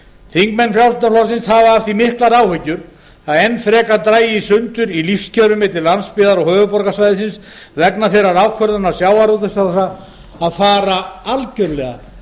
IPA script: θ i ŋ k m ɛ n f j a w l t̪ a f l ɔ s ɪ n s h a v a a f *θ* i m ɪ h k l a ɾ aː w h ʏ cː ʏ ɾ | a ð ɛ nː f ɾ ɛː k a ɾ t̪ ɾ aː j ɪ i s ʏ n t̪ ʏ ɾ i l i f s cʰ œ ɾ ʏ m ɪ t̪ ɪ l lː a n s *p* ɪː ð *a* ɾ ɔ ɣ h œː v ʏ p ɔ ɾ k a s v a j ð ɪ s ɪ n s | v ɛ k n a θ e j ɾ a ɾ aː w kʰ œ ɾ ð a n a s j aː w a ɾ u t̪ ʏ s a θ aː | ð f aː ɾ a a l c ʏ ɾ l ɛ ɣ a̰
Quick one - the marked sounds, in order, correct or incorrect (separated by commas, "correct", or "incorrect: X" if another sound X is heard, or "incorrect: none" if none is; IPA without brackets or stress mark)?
correct, correct, correct